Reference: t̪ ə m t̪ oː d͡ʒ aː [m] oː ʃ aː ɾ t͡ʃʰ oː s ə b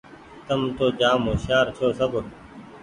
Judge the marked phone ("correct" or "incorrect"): correct